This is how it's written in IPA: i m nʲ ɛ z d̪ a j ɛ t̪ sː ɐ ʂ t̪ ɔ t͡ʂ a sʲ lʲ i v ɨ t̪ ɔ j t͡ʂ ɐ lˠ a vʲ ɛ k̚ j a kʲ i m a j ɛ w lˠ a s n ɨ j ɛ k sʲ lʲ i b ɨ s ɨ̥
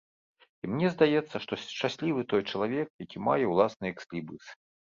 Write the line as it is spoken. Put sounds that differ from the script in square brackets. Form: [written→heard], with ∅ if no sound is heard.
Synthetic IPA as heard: i m nʲ ɛ z d̪ a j ɛ t̪ sː ɐ ʂ t̪ ɔ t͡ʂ a sʲ lʲ i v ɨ t̪ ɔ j t͡ʂ ɐ lˠ a vʲ ɛ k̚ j a kʲ i m a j ɛ w lˠ a s n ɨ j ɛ k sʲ lʲ i b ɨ s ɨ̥